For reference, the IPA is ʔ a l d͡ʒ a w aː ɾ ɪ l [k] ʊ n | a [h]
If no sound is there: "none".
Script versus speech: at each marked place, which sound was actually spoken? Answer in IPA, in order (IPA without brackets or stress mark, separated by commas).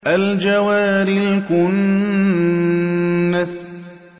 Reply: k, s